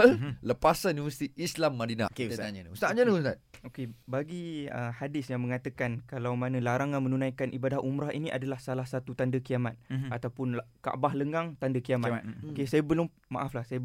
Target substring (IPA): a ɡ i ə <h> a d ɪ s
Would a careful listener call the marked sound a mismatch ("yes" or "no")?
no